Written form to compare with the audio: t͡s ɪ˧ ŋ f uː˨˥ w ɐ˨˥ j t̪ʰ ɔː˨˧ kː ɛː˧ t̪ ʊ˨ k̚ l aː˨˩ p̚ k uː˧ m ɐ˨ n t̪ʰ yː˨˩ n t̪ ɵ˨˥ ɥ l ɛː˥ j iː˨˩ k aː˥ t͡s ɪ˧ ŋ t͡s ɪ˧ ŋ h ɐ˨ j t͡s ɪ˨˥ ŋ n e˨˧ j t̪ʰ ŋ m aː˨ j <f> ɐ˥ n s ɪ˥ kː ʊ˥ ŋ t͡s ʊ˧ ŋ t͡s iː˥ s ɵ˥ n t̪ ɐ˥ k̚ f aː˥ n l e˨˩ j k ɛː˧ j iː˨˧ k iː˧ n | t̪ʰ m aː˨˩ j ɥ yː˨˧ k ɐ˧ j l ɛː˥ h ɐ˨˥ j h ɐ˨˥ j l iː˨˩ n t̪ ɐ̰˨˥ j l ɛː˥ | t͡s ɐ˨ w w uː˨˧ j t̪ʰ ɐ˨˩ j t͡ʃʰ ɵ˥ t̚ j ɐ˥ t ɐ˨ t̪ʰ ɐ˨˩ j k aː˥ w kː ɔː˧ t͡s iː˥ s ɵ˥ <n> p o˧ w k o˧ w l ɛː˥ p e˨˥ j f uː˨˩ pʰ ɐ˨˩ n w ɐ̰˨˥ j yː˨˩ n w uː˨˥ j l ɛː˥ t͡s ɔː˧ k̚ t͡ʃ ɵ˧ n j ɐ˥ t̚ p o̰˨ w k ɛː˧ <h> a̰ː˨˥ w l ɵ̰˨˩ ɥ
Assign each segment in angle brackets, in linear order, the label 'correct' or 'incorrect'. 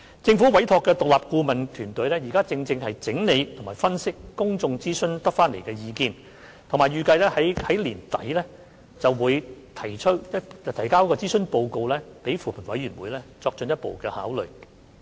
correct, correct, correct

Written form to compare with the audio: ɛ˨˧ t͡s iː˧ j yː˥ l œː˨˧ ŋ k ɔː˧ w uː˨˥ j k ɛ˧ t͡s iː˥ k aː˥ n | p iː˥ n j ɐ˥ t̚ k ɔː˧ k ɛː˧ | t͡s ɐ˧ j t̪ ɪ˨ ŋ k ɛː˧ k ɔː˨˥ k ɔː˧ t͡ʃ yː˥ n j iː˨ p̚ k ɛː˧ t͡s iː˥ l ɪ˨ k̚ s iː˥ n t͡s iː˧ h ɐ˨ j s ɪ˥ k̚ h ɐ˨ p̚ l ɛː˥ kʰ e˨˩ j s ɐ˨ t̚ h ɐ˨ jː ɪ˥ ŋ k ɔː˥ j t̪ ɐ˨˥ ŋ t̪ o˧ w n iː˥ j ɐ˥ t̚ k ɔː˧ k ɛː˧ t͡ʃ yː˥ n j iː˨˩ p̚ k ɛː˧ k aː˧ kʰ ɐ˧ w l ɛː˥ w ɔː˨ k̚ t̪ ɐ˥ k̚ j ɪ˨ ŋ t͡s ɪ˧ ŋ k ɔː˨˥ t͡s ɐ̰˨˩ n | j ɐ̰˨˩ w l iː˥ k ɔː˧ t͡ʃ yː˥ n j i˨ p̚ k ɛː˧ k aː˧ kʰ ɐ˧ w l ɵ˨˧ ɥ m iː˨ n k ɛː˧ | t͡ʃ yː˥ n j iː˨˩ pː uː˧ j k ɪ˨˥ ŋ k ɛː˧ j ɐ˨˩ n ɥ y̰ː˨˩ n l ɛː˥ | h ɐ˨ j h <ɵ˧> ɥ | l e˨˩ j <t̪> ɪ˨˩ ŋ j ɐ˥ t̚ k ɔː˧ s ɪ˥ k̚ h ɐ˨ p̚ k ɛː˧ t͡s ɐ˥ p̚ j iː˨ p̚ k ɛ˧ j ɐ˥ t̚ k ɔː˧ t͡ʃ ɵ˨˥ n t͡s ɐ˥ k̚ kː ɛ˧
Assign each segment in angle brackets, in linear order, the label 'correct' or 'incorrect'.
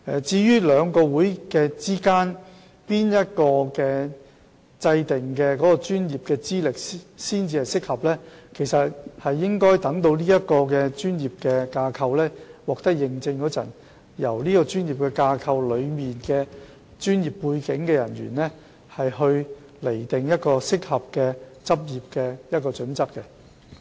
correct, correct

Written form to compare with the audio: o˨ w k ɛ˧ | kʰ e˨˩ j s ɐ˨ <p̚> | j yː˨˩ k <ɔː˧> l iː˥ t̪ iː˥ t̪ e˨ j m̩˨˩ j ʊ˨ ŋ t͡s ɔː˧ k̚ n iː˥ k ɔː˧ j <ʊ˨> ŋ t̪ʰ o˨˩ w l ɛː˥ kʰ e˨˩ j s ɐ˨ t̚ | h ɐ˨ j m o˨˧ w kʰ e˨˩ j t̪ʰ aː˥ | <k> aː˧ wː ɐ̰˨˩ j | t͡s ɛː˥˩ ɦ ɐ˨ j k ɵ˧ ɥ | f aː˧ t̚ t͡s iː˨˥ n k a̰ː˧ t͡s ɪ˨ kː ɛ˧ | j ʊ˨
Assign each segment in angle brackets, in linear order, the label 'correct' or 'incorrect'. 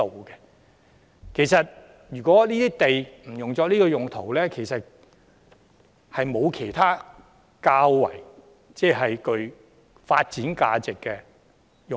incorrect, incorrect, correct, correct

